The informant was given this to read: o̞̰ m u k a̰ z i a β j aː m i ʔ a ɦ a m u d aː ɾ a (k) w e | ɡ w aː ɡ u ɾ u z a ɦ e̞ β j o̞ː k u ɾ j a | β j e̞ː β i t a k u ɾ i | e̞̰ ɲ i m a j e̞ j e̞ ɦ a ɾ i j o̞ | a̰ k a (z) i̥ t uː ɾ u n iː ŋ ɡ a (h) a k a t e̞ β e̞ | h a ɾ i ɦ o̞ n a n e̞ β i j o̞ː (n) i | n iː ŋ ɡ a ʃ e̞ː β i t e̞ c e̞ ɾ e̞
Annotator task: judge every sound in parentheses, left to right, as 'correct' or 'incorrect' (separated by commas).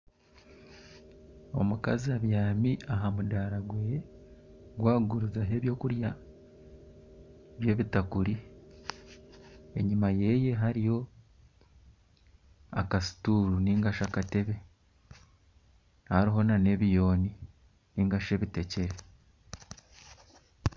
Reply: incorrect, incorrect, incorrect, correct